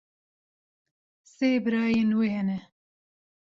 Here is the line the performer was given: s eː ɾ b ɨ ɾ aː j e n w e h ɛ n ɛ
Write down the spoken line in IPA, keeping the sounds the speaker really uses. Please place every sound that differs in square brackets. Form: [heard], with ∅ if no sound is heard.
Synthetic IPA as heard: s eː [∅] b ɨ ɾ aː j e n w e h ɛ n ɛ